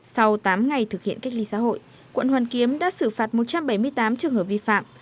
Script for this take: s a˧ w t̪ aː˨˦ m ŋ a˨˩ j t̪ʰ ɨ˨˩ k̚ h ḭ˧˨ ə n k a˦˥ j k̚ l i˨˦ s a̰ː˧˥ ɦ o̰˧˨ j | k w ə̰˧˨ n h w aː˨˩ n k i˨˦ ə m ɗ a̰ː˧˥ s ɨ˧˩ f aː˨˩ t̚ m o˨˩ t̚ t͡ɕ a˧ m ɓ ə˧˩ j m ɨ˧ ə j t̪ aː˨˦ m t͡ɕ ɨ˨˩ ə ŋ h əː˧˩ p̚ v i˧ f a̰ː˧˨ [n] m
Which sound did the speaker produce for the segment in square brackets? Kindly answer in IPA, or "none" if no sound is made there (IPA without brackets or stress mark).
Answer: none